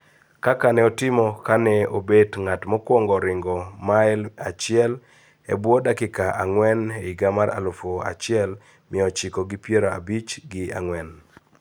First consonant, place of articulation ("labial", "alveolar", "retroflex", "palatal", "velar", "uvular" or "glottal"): velar